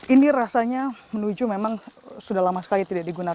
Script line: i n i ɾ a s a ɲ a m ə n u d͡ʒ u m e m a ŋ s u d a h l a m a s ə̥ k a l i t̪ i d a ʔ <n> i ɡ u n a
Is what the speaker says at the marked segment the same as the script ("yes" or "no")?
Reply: no